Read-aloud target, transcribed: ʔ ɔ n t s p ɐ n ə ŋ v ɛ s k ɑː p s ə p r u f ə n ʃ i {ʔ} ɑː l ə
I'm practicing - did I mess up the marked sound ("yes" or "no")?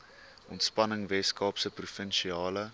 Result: yes